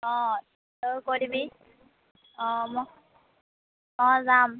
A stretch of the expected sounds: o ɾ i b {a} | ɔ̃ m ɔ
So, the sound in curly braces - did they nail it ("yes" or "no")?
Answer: no